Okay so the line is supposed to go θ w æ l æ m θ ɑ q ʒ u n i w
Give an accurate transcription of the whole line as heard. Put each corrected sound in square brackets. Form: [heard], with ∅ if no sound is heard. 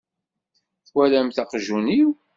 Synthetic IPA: θ w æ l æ m θ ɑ q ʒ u n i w